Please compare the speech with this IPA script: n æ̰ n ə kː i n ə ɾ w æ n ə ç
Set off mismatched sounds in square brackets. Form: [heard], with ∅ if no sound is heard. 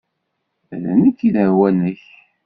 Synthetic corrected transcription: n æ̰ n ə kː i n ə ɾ w æ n ə ç

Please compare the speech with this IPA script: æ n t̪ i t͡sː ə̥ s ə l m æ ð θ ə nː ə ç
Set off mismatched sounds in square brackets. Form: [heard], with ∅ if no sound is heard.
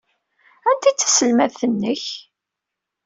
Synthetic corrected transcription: æ n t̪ i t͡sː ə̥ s ə l m æ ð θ ə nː ə ç

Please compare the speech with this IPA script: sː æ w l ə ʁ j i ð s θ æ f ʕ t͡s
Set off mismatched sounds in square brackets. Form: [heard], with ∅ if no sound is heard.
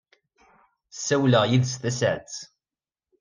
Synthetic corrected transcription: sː æ w l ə ʁ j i ð s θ æ [s] ʕ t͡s

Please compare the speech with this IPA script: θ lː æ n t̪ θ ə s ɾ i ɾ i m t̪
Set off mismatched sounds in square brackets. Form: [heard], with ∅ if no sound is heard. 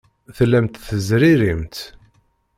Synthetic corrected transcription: θ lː æ [m] t̪ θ ə [z] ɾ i ɾ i m t̪

